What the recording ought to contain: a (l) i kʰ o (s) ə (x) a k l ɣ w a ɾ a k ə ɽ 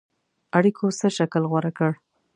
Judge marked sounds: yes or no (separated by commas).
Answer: no, yes, no